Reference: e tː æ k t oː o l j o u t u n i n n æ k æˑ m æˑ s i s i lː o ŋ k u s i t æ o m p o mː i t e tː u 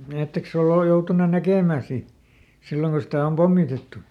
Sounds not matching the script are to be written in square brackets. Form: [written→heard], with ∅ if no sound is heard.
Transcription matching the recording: e tː [æ→e] k [t→s] oː o l j o u t u n [i→e] n n æ k [æˑ→eˑ] m æˑ s i s i lː o ŋ k u s i t æ o m p o mː i t e tː u